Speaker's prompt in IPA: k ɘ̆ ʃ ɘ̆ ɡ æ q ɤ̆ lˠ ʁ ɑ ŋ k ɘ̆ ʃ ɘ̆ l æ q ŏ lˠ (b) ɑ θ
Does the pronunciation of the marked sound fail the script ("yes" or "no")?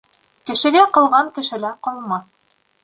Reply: yes